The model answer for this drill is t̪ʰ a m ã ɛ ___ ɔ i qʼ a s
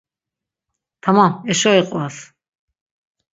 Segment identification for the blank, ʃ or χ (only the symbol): ʃ